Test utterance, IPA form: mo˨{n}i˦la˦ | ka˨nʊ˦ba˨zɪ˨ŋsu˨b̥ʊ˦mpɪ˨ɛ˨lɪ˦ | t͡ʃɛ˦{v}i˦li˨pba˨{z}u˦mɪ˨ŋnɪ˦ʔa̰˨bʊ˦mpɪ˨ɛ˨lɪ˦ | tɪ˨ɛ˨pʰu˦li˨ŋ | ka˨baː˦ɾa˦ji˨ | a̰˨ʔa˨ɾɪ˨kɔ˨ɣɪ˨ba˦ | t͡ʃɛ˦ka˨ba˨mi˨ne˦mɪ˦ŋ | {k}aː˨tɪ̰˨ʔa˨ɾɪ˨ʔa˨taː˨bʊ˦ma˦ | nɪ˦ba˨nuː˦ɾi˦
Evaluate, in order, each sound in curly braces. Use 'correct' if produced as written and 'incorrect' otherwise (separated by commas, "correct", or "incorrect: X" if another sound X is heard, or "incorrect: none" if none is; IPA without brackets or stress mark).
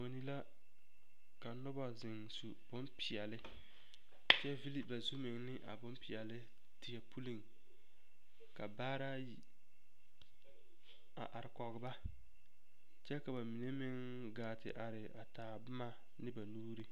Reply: correct, correct, correct, incorrect: ɡ